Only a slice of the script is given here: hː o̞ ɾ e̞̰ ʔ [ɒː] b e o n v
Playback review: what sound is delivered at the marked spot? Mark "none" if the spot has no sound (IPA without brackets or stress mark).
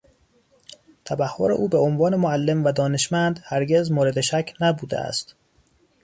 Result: uː